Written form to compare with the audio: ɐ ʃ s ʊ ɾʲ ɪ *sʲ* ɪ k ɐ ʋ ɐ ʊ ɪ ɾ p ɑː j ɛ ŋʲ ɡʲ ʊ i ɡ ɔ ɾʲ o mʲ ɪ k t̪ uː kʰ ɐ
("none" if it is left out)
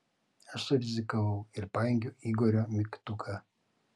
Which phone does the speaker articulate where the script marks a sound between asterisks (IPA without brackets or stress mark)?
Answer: zʲ